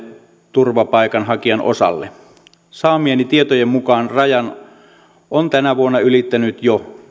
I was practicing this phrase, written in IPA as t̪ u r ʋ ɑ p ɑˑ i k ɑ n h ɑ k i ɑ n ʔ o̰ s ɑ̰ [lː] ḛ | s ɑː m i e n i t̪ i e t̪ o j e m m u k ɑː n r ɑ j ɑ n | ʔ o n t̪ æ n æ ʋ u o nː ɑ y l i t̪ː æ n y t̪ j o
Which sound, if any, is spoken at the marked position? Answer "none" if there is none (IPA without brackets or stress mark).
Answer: lː